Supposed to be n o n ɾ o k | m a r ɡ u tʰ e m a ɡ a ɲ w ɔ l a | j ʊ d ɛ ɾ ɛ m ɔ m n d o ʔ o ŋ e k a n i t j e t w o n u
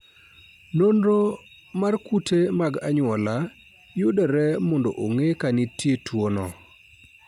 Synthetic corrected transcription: n o n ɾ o | m a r k u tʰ e m a ɡ a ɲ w ɔ l a | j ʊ d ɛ ɾ ɛ m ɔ n d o ʔ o ŋ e k a n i t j e t w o n ɔ

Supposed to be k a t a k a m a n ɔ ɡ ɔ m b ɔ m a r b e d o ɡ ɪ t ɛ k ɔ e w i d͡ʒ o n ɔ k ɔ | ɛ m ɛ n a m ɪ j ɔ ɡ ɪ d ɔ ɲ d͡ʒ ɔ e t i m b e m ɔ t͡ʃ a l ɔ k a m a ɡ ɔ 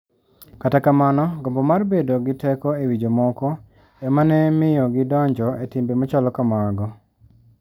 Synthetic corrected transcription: k a t a k a m a n ɔ ɡ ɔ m b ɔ m a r b e d o ɡ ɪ t ɛ k ɔ e w i d͡ʒ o m ɔ k ɔ | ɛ m a n ɛ m ɪ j ɔ ɡ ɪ d ɔ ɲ d͡ʒ ɔ e t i m b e m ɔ t͡ʃ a l ɔ k a m a ɡ ɔ

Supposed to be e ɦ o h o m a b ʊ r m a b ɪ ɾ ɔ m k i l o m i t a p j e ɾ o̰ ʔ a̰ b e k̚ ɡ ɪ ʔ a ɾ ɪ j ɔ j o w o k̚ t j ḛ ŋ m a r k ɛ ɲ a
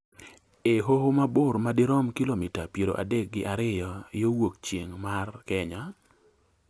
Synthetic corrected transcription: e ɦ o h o m a b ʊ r m a d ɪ ɾ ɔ m k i l o m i t a p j e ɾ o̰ ʔ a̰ d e k̚ ɡ ɪ ʔ a ɾ ɪ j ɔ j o w o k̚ t͡ʃ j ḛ ŋ m a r k ɛ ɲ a

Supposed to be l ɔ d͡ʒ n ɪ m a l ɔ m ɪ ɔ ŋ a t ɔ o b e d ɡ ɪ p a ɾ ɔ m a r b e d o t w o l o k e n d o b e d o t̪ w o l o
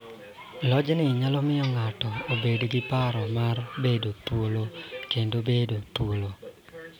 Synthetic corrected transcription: l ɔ d͡ʒ n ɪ ɲ a l ɔ m ɪ ɔ ŋ a t ɔ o b e d ɡ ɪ p a ɾ ɔ m a r b e d o t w o l o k e n d o b e d o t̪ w o l o

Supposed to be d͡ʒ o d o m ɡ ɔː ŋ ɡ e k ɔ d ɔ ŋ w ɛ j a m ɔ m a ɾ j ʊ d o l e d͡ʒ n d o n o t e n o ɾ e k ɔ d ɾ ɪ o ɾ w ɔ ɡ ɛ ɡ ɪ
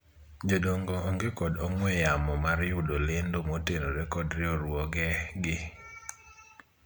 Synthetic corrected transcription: d͡ʒ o d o ŋ ɡ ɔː ŋ ɡ e k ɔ d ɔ ŋ w ɛ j a m ɔ m a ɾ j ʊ d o l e n d o m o t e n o ɾ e k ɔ d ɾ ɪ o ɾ w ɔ ɡ ɛ ɡ ɪ

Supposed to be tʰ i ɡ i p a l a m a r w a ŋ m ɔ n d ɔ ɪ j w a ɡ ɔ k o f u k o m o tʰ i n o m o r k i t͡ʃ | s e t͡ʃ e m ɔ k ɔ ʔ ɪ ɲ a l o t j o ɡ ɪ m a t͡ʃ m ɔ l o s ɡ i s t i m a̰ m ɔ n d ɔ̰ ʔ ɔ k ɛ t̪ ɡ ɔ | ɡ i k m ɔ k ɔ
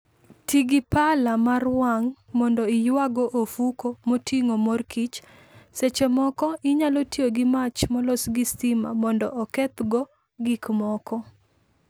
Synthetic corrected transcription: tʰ i ɡ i p a l a m a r w a ŋ m ɔ n d ɔ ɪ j w a ɡ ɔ ʔ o f u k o m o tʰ i ŋ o m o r k i t͡ʃ | s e t͡ʃ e m ɔ k ɔ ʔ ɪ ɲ a l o t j o ɡ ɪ m a t͡ʃ m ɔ l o s ɡ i s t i m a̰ m ɔ n d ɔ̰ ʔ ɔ k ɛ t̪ ɡ ɔ | ɡ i k m ɔ k ɔ

